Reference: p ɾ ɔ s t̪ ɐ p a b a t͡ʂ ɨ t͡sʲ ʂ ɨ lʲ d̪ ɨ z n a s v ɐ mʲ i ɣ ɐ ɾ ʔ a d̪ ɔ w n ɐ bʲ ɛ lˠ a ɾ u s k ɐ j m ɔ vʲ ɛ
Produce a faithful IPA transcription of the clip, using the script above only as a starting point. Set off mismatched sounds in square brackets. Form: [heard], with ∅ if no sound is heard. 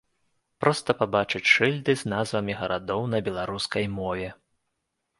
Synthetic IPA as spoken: p ɾ ɔ s t̪ ɐ p a b a t͡ʂ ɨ t͡sʲ ʂ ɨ lʲ d̪ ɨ z n a [z] v ɐ mʲ i ɣ ɐ ɾ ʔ a d̪ ɔ w n ɐ bʲ ɛ lˠ a ɾ u s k ɐ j m ɔ vʲ ɛ